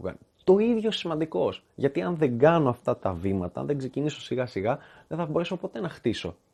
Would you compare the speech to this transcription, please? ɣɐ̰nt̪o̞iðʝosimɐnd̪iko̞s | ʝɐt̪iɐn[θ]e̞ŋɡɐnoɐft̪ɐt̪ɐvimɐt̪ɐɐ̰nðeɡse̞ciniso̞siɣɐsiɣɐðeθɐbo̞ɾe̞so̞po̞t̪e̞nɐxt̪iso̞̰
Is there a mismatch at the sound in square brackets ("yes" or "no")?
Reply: yes